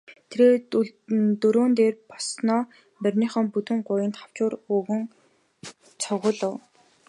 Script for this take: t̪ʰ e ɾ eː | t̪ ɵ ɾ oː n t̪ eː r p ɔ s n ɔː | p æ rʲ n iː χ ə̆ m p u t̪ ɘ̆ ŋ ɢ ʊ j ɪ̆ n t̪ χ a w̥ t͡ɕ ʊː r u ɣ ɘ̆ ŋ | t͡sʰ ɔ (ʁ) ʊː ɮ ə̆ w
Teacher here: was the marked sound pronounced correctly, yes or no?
yes